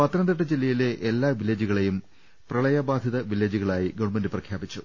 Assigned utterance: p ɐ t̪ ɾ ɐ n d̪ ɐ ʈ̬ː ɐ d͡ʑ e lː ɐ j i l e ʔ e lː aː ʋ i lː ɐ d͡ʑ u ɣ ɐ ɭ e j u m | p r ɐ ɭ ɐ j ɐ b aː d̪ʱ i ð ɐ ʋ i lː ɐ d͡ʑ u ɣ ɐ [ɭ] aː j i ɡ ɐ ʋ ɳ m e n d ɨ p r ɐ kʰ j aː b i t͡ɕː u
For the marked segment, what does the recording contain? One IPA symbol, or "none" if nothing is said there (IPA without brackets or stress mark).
ɭ